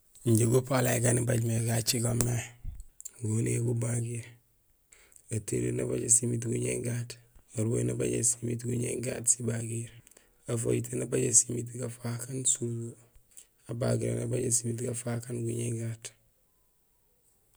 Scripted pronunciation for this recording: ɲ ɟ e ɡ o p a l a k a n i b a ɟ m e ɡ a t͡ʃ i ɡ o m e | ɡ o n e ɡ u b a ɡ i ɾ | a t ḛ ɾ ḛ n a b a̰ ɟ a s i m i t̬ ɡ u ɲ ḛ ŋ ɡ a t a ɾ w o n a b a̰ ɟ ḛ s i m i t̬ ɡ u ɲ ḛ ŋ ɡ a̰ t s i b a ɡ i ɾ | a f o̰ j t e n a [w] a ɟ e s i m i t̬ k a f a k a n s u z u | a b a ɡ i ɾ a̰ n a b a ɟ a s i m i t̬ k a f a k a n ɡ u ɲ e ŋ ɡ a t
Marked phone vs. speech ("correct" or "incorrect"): incorrect